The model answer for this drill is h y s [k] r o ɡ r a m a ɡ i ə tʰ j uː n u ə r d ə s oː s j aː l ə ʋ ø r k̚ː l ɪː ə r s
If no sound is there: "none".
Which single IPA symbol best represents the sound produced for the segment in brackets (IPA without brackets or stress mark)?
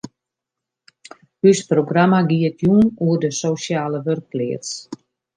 p